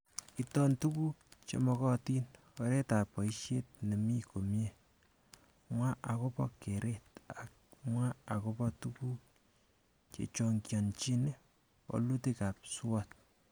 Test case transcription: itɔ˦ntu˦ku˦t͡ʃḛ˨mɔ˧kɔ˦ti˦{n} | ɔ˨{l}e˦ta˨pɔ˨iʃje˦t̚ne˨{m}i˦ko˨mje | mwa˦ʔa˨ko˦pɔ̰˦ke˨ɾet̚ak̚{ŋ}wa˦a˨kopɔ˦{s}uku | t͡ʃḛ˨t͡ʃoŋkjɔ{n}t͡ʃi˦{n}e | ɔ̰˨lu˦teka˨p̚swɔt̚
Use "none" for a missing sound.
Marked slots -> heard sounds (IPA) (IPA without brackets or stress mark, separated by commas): n, ɾ, m, m, t, n, n